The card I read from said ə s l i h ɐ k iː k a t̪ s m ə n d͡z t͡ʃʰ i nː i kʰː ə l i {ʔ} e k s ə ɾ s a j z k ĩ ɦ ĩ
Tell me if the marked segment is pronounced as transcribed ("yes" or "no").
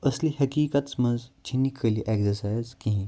yes